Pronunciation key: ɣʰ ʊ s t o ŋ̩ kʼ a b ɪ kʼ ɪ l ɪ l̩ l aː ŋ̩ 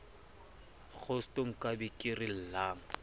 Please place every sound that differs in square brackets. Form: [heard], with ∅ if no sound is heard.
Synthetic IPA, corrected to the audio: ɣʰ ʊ s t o ŋ̩ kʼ a b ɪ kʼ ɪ [r] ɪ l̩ l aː ŋ̩